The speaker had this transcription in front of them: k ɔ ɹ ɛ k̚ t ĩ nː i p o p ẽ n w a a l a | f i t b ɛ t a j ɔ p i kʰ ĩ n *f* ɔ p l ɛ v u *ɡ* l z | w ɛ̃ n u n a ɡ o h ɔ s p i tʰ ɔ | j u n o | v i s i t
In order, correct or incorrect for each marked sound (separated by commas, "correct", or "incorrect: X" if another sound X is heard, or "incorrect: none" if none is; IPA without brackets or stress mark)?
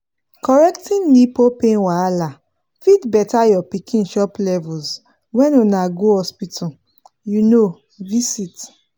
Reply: incorrect: ʃ, incorrect: none